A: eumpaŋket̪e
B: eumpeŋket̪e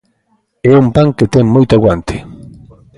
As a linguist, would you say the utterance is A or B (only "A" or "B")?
A